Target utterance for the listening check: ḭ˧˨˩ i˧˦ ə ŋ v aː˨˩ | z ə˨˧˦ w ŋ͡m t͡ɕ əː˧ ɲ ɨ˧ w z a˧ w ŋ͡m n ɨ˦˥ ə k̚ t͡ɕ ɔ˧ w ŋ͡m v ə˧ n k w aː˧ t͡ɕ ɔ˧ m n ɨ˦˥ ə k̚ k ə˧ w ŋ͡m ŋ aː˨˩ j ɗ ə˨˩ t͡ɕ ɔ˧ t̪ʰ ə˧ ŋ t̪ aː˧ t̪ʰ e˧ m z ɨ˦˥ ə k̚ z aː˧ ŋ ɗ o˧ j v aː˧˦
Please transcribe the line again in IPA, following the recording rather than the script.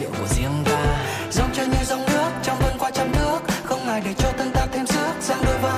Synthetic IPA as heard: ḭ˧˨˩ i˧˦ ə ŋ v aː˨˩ | z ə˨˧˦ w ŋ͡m t͡ɕ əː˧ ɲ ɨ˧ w z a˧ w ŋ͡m n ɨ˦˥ ə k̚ t͡ɕ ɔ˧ w ŋ͡m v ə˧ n k w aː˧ t͡ɕ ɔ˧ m n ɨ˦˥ ə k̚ x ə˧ w ŋ͡m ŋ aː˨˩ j ɗ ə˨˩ t͡ɕ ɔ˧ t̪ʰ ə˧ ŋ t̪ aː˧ t̪ʰ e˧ m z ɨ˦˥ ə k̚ z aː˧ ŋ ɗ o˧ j v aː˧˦